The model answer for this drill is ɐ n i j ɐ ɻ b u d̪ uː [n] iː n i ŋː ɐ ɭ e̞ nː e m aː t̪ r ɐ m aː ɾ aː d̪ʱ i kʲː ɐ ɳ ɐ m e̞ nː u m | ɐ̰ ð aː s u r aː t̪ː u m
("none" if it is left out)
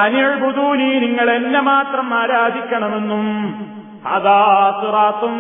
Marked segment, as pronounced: n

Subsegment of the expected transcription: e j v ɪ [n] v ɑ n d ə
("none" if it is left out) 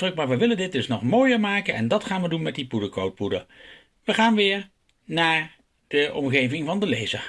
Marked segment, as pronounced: ŋ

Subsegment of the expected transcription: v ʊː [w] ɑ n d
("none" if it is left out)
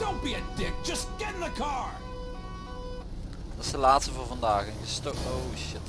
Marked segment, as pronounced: v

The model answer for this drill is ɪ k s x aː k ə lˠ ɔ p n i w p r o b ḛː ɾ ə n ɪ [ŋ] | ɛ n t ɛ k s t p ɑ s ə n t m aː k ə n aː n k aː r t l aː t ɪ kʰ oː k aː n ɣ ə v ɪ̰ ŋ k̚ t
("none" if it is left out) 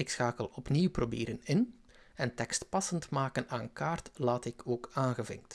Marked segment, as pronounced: n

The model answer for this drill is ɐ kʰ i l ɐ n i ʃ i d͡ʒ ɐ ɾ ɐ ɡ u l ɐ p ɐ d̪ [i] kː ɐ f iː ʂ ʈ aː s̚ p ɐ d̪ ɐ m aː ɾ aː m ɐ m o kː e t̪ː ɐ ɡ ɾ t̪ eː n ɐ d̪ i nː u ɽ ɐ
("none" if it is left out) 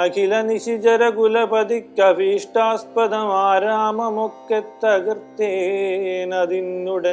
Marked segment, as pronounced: i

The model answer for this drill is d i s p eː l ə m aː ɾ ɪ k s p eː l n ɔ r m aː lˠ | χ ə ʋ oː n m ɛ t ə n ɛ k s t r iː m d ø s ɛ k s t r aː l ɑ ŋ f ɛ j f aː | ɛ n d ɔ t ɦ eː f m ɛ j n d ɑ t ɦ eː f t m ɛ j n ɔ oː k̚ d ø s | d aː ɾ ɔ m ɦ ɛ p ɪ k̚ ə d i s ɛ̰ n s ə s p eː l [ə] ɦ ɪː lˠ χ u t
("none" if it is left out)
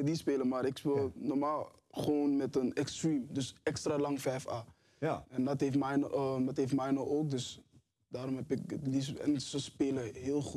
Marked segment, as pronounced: ə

